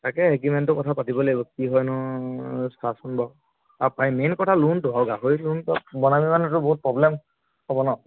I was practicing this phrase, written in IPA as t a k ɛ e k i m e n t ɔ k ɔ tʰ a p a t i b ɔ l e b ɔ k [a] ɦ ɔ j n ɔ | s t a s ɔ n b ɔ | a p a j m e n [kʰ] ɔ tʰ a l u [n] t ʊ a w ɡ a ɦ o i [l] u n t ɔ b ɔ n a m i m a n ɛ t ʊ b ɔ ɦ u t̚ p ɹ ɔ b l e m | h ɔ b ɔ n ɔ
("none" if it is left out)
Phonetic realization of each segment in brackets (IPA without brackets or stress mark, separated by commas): i, k, n, l